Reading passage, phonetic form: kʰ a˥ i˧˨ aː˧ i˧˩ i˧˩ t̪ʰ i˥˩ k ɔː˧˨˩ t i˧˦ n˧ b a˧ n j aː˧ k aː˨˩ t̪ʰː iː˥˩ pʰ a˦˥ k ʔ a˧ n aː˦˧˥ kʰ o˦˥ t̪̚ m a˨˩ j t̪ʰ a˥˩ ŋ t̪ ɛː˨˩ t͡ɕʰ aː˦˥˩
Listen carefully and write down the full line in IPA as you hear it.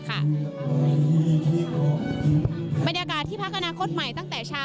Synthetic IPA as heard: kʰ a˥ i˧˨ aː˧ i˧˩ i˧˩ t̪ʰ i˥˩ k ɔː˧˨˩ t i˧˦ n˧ b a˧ n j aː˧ k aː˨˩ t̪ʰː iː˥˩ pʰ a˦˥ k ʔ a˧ n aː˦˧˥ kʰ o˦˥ t̪̚ m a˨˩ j t̪ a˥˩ ŋ t̪ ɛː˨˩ t͡ɕʰ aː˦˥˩